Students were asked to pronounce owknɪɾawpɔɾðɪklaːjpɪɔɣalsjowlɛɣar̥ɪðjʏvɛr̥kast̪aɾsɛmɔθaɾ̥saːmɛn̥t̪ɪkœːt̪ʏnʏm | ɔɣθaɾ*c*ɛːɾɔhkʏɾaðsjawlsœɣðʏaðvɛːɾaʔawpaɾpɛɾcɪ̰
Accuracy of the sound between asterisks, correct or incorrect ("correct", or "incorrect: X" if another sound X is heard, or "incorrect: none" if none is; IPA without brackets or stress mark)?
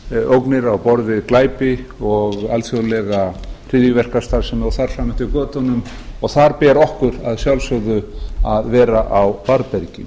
incorrect: p